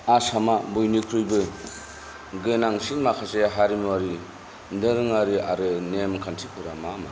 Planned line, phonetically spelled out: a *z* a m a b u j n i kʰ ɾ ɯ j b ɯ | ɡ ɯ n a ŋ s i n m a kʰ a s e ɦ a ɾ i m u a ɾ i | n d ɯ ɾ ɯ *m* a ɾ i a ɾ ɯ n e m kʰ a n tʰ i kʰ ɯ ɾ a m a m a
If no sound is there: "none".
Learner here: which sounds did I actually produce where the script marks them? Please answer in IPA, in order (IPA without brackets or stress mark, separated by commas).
s, ŋ